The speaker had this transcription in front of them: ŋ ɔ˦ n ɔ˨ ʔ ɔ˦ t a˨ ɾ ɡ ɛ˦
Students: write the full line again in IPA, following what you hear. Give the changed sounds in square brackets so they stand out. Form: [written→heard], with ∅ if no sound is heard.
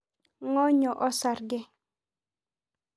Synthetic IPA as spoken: ŋ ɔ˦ [n→ɲ] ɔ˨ ʔ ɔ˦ [t→s] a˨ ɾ ɡ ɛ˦